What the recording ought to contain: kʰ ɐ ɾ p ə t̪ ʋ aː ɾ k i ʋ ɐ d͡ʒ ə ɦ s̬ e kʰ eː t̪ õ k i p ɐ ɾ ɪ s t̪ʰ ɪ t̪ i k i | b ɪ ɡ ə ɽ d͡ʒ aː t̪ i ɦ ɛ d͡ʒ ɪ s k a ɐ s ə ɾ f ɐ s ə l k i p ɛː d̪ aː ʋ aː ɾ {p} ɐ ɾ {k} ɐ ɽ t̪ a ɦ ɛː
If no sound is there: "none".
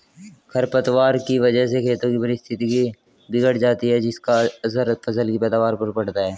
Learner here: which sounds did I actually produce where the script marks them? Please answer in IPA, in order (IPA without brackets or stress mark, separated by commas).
p, p